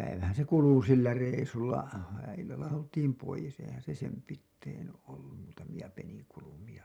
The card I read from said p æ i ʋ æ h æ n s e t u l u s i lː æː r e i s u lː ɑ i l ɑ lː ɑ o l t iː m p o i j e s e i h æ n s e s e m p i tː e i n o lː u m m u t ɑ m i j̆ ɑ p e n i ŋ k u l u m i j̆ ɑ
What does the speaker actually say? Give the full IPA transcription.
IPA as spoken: p æ i ʋ æ h æ n s e k u l u s i lː æ r e i s u lː ɑ i lː ɑ lː ɑ o l t iː m p o i j e s e i h æ n s e s e m p i tː e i n o lː u m m uː t ɑ m i j̆ ɑ p e n i ŋ k u l u m i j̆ ɑ